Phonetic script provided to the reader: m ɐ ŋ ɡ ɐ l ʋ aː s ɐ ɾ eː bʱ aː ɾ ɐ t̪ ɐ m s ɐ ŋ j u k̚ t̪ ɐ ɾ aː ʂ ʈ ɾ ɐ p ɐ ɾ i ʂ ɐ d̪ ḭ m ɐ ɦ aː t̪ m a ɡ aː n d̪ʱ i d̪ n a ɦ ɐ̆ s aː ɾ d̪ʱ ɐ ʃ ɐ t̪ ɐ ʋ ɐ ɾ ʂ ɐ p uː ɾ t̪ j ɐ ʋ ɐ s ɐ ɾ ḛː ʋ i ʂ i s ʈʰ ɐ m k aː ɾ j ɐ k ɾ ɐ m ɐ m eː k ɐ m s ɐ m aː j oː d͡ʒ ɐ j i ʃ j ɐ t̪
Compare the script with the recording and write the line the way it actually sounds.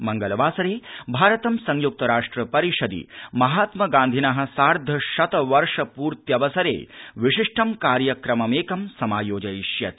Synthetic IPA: m ɐ ŋ ɡ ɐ l ʋ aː s ɐ ɾ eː bʱ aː ɾ ɐ t̪ ɐ m s ɐ ŋ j u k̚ t̪ ɐ ɾ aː ʂ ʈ ɾ ɐ p ɐ ɾ i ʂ ɐ d̪ ḭ m ɐ ɦ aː t̪ m ɐ ɡ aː n d̪ʱ i n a ɦ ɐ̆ s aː ɾ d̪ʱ ɐ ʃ ɐ t̪ ɐ ʋ ɐ ɾ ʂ ɐ p uː ɾ t̪ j ɐ ʋ ɐ s ɐ ɾ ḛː ʋ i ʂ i ʂ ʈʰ ɐ m k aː ɾ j ɐ k ɾ ɐ m ɐ m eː k ɐ m s ɐ m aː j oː d͡ʒ ɐ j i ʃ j ɐ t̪